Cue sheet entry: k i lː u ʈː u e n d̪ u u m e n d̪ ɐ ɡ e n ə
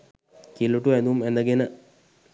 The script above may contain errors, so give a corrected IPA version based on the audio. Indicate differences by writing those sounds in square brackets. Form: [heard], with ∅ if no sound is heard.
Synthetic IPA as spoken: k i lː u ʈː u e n d̪ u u m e n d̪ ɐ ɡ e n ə